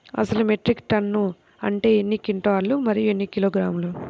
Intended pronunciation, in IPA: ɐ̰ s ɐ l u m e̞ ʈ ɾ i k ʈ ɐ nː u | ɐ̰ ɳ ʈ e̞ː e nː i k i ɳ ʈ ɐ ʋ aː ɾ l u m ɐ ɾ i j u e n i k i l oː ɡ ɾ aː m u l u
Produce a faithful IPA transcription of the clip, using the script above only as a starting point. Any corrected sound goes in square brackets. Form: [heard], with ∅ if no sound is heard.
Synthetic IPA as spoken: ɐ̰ s ɐ l u m e̞ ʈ ɾ i k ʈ ɐ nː u | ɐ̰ ɳ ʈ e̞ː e nː i k i ɳ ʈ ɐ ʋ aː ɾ l u m ɐ ɾ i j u e [nː] i k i l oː ɡ ɾ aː m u l u